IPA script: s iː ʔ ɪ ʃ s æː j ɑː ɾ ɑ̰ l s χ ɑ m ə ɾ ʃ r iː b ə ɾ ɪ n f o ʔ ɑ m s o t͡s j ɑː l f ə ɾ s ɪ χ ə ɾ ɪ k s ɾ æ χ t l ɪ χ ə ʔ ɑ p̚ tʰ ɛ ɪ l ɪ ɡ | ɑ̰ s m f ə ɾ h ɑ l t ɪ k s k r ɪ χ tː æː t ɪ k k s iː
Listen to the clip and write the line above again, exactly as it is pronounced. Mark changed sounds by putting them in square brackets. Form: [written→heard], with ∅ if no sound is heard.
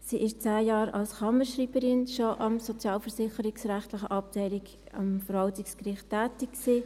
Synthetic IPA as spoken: s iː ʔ ɪ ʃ [s→t͡s] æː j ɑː ɾ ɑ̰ l s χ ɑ m ə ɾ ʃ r iː b ə ɾ ɪ n [f→ʃ] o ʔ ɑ m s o t͡s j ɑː l f ə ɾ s ɪ χ ə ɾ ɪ k s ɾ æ χ t l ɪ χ ə ʔ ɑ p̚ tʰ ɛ ɪ l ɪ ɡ | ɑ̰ [s→∅] m f ə ɾ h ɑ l t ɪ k s k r ɪ χ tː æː t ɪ k k s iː